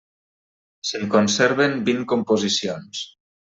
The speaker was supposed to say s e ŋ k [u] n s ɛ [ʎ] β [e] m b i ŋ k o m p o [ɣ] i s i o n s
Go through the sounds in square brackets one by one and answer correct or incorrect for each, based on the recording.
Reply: incorrect: o, incorrect: ɾ, correct, incorrect: z

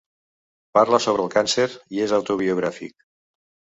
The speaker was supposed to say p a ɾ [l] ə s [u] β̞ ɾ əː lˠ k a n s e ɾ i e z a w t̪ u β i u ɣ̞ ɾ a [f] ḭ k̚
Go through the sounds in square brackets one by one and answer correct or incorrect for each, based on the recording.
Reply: correct, incorrect: o, correct

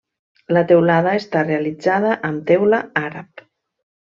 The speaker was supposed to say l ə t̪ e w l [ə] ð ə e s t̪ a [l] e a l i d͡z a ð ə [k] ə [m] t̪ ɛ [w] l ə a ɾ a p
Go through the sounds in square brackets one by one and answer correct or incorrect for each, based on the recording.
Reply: incorrect: a, incorrect: r, incorrect: ʔ, correct, correct

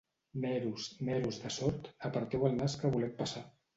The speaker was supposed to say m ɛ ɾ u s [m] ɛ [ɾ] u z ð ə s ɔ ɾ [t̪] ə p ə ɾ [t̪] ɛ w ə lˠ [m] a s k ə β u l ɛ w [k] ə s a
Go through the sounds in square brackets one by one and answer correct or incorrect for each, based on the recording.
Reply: correct, correct, correct, correct, incorrect: n, incorrect: p

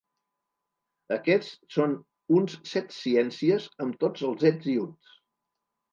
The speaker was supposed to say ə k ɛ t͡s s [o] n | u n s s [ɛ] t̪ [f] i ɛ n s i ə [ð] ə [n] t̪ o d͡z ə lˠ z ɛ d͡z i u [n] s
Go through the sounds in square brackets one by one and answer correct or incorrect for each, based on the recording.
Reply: correct, correct, incorrect: s, incorrect: z, incorrect: m, correct

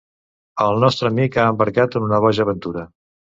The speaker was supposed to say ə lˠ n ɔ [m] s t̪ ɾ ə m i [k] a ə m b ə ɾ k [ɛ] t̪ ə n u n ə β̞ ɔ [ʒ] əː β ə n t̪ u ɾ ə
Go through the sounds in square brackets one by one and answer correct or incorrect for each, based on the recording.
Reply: incorrect: none, correct, incorrect: a, correct

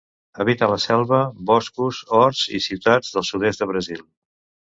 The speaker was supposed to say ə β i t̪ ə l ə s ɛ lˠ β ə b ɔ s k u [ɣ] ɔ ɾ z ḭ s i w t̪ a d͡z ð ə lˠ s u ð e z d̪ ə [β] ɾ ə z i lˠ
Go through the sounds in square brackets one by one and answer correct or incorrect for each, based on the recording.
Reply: incorrect: z, correct

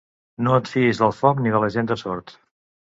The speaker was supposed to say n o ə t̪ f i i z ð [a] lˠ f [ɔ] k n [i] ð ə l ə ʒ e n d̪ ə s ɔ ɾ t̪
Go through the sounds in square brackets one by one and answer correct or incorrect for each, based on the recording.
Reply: incorrect: ə, correct, correct

